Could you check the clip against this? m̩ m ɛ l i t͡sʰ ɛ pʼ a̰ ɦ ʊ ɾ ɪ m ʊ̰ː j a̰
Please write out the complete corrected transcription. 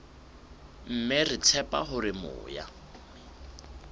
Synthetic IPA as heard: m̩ m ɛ r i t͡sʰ ɛ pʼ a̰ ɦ ʊ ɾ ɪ m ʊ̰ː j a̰